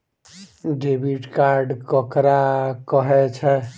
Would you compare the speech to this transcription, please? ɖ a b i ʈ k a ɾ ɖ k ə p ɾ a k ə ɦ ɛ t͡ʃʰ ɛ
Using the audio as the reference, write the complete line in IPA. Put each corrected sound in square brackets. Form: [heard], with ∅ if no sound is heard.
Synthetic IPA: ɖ [e] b i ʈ k a ɾ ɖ k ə [k] ɾ a k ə ɦ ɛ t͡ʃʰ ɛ